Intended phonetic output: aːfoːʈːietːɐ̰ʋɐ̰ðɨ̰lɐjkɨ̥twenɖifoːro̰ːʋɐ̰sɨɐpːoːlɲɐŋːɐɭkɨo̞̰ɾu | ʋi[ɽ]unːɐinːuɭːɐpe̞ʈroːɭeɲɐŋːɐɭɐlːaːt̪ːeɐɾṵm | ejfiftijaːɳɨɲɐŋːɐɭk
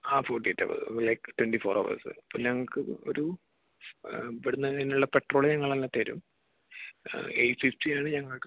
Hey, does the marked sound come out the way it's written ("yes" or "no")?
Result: yes